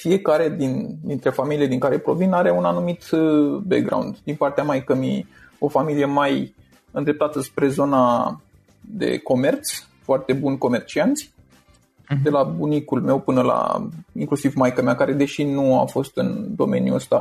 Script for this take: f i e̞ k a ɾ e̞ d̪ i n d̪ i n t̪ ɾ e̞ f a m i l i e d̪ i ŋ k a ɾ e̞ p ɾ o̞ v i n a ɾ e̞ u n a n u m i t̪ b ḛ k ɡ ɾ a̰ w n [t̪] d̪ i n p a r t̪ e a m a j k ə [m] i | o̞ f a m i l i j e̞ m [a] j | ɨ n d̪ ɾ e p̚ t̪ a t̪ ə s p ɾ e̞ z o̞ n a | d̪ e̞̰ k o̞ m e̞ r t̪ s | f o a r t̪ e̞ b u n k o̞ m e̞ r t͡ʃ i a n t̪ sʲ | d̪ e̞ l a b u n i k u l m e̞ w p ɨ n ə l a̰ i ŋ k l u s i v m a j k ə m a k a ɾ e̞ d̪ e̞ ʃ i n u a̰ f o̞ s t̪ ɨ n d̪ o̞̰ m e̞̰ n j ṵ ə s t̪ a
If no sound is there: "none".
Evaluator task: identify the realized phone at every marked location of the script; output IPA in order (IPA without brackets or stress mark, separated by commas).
d̪, m, a